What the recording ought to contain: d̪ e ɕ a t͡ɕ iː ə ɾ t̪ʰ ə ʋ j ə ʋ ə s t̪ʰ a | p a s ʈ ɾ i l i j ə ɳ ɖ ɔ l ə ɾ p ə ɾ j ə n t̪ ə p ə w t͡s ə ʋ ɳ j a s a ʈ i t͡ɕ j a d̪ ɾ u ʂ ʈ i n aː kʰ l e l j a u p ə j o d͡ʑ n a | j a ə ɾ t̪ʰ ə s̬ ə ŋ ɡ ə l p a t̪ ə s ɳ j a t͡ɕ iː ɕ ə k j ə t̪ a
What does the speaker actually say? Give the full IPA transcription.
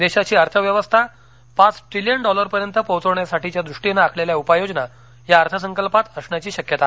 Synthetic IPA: d̪ e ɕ a t͡ɕ iː ə ɾ t̪ʰ ə ʋ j ə ʋ ə s t̪ʰ a | p a t͡s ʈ ɾ i l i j ə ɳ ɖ ɔ l ə ɾ p ə ɾ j ə n t̪ ə p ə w t͡s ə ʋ ɳ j a s a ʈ i t͡ɕ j a d̪ ɾ u ʂ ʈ i n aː kʰ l e l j a u p a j o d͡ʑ n a | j a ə ɾ t̪ʰ ə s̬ ə ŋ k ə l p a t̪ ə s ɳ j a t͡ɕ iː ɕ ə k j ə t̪ a